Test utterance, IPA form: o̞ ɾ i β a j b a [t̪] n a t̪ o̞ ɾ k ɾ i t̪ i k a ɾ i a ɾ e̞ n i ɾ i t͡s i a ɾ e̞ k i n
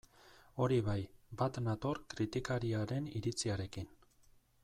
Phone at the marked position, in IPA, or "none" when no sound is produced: t̪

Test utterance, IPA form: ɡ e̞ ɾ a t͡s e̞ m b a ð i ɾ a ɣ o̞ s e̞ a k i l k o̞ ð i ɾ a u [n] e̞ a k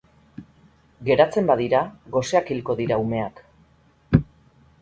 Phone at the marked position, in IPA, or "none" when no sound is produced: m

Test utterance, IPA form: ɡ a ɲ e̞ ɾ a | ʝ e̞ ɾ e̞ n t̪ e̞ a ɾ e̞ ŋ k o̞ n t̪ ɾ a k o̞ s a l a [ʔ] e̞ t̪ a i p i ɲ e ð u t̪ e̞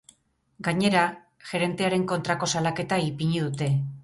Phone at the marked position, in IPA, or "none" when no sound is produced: k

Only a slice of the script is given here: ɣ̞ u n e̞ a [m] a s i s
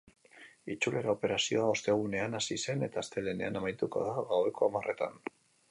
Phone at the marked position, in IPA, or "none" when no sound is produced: n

